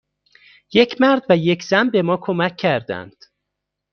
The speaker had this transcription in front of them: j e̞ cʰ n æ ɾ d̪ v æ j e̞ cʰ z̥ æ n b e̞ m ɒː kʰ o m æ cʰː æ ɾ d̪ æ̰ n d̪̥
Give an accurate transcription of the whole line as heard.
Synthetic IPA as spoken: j e̞ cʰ m æ ɾ d̪ v æ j e̞ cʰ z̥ æ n b e̞ m ɒː kʰ o m æ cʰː æ ɾ d̪ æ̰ n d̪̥